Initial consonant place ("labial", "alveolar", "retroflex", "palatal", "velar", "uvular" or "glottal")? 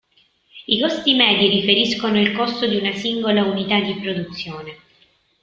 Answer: velar